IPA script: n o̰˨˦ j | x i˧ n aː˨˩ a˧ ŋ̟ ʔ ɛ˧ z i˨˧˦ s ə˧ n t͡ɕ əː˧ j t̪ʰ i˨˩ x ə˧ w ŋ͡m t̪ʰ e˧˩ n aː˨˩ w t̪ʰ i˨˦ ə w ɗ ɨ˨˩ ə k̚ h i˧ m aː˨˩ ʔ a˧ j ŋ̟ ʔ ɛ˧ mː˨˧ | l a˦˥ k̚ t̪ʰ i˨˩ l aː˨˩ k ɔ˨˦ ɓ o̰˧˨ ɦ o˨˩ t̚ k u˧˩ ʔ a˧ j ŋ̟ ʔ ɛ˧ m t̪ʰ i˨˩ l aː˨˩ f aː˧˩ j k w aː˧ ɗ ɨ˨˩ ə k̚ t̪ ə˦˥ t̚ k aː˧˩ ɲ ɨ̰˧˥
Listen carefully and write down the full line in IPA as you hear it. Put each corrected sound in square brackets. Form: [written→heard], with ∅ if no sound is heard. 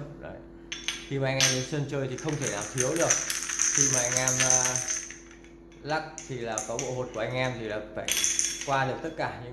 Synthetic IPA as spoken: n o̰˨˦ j | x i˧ [n→m] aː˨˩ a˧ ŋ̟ ʔ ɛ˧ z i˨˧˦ s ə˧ n t͡ɕ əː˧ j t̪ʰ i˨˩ x ə˧ w ŋ͡m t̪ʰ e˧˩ n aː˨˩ w t̪ʰ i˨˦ ə w ɗ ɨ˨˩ ə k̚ [h→x] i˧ m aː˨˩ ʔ a˧ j ŋ̟ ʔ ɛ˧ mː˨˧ | l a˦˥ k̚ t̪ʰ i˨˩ l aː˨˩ k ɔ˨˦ ɓ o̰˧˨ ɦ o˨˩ t̚ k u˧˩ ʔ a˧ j ŋ̟ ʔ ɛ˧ m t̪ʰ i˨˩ l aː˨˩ f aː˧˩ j k w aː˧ ɗ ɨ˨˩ ə k̚ t̪ ə˦˥ t̚ k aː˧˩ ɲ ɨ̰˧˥